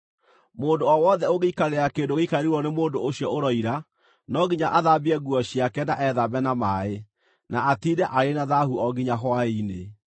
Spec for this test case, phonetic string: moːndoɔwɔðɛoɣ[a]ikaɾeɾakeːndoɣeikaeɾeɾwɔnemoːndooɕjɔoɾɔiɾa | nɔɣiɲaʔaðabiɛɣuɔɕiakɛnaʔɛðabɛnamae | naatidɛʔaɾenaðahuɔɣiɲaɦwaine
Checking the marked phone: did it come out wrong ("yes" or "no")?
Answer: yes